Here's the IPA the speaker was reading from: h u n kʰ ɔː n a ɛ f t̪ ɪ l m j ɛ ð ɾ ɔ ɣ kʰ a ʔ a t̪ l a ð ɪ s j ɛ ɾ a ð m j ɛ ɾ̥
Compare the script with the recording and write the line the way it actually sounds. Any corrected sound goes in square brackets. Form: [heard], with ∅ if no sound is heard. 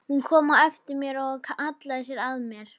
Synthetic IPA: h u n kʰ ɔː [m] a ɛ f t̪ ɪ [ɾ] m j ɛ [∅] ɾ ɔ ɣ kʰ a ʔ a t̪ l a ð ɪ s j ɛ ɾ a ð m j ɛ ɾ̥